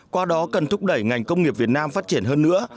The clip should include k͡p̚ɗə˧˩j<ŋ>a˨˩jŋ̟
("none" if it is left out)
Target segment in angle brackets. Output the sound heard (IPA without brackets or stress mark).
ŋ